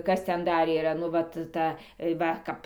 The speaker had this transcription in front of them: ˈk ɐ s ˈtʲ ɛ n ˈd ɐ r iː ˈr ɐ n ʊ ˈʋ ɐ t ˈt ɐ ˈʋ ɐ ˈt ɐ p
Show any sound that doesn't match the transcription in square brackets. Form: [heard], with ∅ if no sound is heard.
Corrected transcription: ˈk ɐ s ˈtʲ ɛ n ˈd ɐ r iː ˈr ɐ n ʊ ˈʋ ɐ t ˈt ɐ ˈʋ ɐ [ˈk] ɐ p

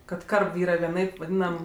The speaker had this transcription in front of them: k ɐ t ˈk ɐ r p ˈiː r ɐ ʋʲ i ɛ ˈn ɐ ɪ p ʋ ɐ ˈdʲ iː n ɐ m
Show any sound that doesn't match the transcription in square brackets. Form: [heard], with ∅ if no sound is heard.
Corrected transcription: k ɐ t ˈk ɐ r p ˈiː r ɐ ʋʲ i ɛ ˈn ɐ ɪ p ʋ ɐ ˈdʲ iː n ɐ m

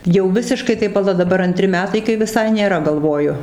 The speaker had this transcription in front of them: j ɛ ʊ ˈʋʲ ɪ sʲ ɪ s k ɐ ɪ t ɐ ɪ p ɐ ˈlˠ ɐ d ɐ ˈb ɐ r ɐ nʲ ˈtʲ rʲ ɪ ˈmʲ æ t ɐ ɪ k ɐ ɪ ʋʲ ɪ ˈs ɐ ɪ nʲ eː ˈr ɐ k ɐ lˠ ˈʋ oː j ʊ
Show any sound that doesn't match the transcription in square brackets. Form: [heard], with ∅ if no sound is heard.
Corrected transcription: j ɛ ʊ ˈʋʲ ɪ sʲ ɪ [ʃ] k ɐ ɪ t ɐ ɪ p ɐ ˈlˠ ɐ d ɐ ˈb ɐ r ɐ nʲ ˈtʲ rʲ ɪ ˈmʲ [æː] t ɐ ɪ k ɐ ɪ ʋʲ ɪ ˈs ɐ ɪ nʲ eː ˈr ɐ [ɡ] ɐ lˠ ˈʋ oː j ʊ

